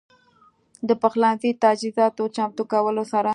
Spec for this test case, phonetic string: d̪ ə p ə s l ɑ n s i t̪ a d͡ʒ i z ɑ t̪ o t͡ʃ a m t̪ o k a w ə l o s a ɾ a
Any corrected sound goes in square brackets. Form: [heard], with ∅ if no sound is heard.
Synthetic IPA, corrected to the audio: d̪ ə p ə [x] l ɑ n [z] i t̪ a d͡ʒ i z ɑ t̪ o t͡ʃ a m t̪ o k a w ə l o s a ɾ a